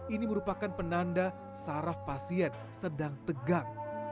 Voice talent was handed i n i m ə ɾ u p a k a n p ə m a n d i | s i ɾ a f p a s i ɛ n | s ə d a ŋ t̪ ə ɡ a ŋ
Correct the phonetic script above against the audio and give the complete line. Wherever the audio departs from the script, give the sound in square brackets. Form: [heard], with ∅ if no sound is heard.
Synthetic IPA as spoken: i n i m ə ɾ u p a k a n p ə [n] a n d [a] | s [a] ɾ a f p a s i ɛ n | s ə d a ŋ t̪ ə ɡ a ŋ